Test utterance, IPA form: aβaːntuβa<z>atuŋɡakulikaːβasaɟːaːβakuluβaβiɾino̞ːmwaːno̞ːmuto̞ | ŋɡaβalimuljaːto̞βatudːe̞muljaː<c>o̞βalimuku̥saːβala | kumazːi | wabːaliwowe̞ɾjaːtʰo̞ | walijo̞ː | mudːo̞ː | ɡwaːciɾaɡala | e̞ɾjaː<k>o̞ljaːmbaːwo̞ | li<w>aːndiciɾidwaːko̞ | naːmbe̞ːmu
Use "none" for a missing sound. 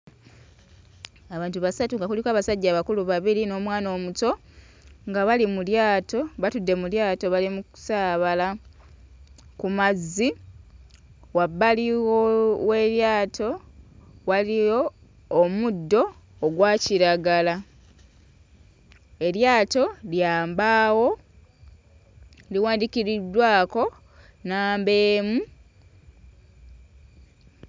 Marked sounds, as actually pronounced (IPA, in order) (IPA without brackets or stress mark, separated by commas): s, t, t, w